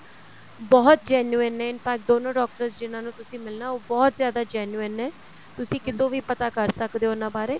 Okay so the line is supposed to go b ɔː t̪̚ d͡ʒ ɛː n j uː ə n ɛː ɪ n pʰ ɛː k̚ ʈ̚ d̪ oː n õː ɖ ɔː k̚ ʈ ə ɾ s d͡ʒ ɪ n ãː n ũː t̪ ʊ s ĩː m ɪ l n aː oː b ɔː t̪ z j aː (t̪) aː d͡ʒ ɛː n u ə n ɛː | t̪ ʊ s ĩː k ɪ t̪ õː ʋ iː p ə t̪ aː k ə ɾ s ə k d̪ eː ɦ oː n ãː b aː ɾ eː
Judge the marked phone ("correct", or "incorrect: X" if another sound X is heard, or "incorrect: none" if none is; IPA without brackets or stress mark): incorrect: d̪